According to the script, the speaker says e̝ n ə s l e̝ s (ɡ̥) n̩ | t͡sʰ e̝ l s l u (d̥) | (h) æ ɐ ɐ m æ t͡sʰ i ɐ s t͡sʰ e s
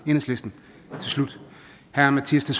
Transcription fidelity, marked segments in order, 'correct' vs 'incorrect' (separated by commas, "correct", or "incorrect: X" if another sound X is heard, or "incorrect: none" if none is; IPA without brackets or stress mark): incorrect: d̥, correct, correct